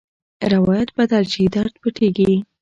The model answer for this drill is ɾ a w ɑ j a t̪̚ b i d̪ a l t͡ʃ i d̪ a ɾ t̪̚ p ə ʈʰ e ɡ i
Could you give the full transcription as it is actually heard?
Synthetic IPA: ɾ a w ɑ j a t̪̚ b a d̪ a l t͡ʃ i d̪ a ɾ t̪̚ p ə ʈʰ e ɡ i